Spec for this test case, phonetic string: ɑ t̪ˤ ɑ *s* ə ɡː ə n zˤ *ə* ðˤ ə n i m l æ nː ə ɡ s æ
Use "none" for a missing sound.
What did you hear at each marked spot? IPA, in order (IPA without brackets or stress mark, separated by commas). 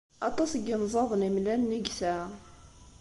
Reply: s, ɑ